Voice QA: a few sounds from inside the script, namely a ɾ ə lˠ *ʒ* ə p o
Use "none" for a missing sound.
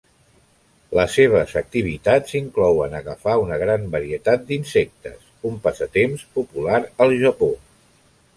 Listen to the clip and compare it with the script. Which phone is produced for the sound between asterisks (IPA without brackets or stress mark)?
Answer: ʒ